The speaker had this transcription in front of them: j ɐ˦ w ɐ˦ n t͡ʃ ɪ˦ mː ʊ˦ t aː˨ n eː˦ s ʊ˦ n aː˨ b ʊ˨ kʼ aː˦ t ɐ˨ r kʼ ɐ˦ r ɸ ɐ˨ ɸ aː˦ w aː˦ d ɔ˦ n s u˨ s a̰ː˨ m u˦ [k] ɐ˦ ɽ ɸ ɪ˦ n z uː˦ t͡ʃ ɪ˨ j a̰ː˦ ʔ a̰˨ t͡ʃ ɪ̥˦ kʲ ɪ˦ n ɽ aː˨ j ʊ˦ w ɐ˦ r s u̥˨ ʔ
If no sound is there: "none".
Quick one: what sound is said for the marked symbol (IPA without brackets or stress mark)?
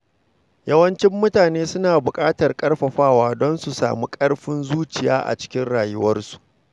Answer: kʼ